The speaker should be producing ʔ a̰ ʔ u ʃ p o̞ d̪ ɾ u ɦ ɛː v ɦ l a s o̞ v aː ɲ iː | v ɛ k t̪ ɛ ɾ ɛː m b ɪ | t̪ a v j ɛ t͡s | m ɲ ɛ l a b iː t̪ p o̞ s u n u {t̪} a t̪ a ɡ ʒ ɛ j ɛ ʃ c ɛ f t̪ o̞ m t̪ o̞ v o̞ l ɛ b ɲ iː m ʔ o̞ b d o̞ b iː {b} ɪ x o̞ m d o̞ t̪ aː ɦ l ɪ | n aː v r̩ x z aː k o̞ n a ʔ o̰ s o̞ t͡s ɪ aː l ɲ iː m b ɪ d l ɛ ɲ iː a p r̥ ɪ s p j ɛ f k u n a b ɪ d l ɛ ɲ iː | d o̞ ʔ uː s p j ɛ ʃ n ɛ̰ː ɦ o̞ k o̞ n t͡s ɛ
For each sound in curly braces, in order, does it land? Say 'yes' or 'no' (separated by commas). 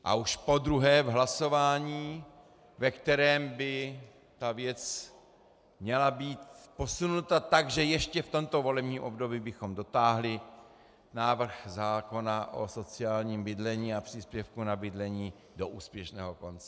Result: yes, yes